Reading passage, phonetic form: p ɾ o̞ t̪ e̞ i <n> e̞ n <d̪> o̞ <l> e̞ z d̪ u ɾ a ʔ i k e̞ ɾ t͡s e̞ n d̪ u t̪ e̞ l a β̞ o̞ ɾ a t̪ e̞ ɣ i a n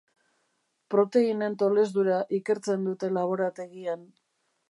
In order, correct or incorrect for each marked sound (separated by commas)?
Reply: correct, incorrect, correct